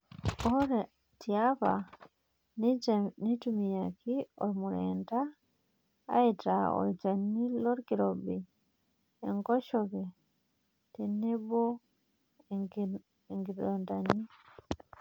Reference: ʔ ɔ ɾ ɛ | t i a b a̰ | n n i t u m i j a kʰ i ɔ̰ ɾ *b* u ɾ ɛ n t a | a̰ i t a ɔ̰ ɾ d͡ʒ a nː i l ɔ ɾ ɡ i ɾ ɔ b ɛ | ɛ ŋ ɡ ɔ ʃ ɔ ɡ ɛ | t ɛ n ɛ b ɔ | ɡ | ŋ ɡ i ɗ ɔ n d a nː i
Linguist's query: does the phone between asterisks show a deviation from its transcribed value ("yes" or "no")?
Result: yes